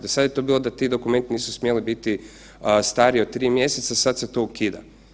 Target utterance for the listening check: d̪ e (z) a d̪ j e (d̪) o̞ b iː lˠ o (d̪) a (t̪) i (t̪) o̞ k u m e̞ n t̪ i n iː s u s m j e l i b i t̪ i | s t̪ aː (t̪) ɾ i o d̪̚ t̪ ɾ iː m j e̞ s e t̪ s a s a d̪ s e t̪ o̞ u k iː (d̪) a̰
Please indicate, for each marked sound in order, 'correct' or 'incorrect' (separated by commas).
incorrect, incorrect, correct, correct, incorrect, incorrect, correct